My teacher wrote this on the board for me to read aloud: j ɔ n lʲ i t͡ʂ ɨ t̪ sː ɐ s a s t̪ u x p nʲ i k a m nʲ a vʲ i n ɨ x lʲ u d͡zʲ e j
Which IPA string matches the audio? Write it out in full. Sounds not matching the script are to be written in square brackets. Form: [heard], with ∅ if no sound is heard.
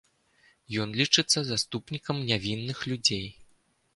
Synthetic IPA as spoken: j ɔ n lʲ i t͡ʂ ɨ t̪ sː ɐ [z] a s t̪ u [∅] p nʲ i k [ɐ] m nʲ a vʲ i [nː] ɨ x lʲ u d͡zʲ e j